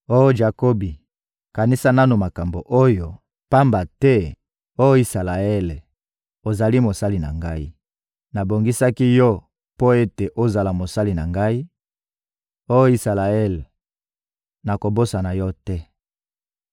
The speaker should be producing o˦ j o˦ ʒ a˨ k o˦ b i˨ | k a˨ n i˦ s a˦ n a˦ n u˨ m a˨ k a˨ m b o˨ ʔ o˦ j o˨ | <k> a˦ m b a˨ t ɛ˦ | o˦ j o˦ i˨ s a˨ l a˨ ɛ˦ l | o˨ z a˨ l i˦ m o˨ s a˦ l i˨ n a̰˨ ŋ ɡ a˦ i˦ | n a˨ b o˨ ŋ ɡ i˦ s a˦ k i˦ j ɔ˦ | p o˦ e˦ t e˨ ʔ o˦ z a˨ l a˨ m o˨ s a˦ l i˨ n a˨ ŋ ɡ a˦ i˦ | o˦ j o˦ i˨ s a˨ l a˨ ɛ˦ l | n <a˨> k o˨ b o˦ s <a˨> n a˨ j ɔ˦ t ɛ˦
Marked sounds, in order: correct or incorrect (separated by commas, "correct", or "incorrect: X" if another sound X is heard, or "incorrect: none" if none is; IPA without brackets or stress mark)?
incorrect: p, correct, correct